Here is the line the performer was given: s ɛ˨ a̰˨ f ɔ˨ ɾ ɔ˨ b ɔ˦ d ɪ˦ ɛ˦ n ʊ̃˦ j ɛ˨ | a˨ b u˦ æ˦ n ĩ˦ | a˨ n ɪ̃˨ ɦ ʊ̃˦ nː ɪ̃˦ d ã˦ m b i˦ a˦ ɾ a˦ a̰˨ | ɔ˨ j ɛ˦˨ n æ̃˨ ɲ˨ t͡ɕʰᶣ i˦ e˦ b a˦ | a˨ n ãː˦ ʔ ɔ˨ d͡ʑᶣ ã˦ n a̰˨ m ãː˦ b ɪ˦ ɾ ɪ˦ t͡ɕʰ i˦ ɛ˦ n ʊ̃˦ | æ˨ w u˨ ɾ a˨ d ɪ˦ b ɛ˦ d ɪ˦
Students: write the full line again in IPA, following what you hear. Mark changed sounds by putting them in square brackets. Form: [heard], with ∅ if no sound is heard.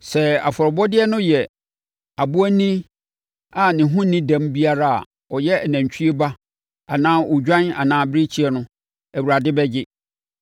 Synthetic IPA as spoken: s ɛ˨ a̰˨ f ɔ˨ ɾ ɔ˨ b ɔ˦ d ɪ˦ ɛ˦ n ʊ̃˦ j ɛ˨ | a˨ b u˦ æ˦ n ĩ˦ | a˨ n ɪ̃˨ ɦ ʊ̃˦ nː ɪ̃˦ d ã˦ m b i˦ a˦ ɾ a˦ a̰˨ | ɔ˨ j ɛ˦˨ n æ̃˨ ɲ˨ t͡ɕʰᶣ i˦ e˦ b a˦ | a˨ n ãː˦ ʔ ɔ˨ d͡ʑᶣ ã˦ n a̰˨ [n] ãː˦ b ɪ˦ ɾ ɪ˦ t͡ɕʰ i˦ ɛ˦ n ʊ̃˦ | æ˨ w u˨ ɾ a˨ d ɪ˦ b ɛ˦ [d͡ʑ] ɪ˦